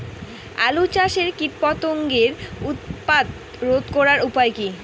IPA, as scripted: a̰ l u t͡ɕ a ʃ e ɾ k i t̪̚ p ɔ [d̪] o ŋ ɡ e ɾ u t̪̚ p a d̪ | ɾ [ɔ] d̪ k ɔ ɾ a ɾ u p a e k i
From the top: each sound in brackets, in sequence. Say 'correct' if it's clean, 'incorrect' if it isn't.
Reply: incorrect, incorrect

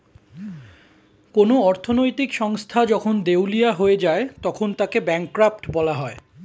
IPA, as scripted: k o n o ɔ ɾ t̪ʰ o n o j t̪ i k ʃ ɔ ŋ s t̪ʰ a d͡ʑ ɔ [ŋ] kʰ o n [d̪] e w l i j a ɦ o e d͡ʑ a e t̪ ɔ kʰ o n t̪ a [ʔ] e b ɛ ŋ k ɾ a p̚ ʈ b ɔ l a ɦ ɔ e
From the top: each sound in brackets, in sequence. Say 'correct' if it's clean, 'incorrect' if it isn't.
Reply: incorrect, correct, incorrect

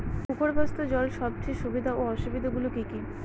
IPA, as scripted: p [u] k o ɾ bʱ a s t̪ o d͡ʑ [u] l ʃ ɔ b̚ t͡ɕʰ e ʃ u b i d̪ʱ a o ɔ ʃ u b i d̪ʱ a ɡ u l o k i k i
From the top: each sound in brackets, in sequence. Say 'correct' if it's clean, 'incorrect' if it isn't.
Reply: correct, incorrect

